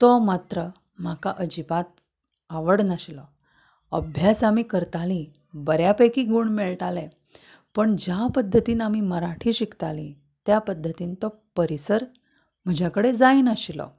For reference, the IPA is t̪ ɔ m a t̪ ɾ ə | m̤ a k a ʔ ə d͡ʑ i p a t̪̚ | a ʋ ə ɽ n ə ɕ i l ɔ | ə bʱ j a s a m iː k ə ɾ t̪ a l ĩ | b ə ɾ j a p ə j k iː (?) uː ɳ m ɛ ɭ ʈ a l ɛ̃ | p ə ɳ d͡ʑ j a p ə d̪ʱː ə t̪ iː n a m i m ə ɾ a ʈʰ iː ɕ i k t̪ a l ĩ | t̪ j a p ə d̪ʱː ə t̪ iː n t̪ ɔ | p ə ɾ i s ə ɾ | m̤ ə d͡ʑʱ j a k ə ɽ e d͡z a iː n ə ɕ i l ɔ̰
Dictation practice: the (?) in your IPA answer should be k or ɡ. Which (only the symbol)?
ɡ